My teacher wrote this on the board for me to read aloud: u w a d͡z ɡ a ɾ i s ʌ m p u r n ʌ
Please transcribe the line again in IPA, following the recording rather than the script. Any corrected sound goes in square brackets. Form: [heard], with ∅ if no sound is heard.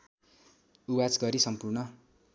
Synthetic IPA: u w a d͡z ɡ [ʌ] ɾ i s ʌ m p u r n ʌ